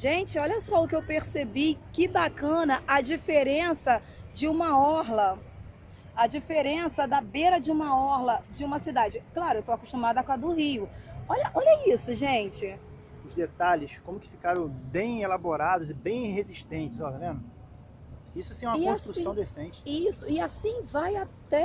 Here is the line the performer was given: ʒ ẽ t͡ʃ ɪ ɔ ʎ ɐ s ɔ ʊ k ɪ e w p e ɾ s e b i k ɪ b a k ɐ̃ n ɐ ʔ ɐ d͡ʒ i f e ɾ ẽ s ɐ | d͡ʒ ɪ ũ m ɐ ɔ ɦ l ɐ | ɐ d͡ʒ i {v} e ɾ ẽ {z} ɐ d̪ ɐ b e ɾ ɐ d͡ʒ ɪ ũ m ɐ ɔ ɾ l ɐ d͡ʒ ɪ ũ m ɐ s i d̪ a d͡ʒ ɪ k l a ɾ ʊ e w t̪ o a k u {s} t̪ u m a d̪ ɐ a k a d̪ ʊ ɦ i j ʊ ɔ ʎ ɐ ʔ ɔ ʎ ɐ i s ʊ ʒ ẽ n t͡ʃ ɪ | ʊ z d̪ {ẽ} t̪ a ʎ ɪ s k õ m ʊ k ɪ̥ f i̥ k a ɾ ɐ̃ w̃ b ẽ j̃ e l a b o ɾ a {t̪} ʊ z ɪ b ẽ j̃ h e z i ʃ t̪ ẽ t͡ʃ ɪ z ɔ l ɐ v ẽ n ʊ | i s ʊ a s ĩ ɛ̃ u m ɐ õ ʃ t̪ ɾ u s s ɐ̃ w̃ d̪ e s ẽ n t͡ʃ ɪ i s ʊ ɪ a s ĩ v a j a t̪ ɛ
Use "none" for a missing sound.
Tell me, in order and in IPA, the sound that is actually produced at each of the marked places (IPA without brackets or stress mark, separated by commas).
f, s, ʃ, e, d̪